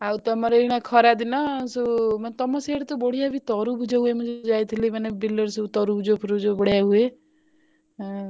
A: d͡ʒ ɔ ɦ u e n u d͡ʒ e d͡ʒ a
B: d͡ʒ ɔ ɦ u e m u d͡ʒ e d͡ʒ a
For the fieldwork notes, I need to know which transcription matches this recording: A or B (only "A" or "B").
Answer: B